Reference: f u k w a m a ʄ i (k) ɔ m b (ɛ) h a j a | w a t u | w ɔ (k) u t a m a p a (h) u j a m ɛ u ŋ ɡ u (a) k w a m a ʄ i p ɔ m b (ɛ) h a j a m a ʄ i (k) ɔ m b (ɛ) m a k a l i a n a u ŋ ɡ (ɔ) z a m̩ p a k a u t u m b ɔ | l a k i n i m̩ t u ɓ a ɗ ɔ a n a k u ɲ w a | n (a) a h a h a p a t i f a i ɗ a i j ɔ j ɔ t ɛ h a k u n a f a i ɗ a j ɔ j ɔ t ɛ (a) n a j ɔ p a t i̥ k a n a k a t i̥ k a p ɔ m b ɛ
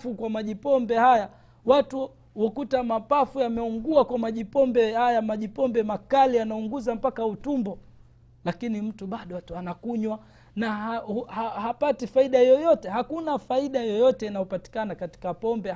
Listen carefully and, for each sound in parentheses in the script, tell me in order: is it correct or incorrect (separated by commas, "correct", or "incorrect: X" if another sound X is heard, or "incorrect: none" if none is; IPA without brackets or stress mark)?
incorrect: p, correct, correct, incorrect: f, correct, correct, incorrect: p, correct, incorrect: u, correct, incorrect: i